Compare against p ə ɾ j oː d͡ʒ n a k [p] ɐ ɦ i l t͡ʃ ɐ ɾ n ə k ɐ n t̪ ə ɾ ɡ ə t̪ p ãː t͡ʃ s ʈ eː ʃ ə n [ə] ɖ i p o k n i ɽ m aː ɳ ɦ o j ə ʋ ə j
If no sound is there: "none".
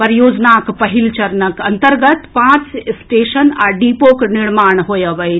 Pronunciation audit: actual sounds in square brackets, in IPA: p, a

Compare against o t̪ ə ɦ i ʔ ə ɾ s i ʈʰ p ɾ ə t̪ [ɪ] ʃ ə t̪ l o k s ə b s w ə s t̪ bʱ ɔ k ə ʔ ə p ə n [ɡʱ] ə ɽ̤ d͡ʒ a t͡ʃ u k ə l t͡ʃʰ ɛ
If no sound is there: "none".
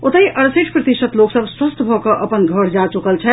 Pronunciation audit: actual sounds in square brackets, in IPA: i, ɡʱ

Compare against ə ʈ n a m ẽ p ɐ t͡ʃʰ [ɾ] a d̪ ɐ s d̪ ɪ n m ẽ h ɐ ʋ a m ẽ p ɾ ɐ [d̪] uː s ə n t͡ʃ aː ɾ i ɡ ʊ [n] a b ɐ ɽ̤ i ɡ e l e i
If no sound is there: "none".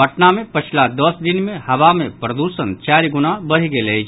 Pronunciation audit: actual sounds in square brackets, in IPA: l, d̪, n

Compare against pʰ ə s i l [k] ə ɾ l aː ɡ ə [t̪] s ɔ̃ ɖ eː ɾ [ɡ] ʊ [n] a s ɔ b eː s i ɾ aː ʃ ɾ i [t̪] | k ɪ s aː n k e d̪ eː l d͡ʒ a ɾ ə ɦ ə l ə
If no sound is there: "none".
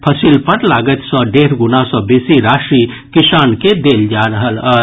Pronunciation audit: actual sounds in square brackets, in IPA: p, t̪, ɡ, n, none

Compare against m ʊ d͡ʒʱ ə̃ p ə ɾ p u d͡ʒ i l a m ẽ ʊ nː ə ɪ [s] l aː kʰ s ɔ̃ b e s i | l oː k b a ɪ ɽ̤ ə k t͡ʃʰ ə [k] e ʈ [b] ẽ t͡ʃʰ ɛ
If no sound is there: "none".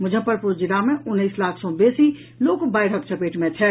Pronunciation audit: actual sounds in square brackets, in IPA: s, p, m

